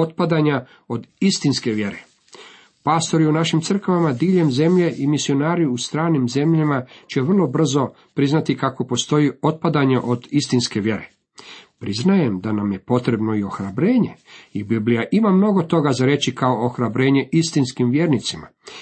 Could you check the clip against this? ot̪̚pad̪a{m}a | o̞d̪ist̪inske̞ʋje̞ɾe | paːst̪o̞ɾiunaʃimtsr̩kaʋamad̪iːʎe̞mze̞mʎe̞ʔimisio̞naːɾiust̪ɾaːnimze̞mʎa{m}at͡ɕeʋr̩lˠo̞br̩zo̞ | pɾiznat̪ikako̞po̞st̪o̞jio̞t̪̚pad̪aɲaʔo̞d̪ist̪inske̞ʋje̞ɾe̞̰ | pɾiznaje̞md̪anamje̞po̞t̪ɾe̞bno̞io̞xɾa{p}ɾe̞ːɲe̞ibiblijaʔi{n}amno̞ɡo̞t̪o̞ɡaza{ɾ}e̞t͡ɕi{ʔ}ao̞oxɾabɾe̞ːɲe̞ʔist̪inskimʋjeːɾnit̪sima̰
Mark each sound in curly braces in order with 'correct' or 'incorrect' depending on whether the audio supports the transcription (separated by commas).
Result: incorrect, correct, incorrect, incorrect, correct, incorrect